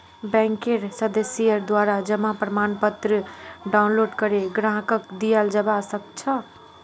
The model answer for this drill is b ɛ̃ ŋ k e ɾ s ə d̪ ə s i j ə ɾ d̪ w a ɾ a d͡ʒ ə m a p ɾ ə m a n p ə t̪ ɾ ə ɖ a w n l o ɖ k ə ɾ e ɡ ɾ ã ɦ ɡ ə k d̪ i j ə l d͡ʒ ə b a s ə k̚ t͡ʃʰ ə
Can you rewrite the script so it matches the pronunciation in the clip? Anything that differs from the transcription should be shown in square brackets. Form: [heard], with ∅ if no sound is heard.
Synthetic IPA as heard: b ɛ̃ ŋ k e ɾ s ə d̪ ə s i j ə ɾ d̪ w a ɾ a d͡ʒ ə m a p ɾ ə m a n p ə t̪ ɾ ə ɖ a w n l o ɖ k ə ɾ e ɡ ɾ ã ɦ [k] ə k d̪ i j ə l d͡ʒ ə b a s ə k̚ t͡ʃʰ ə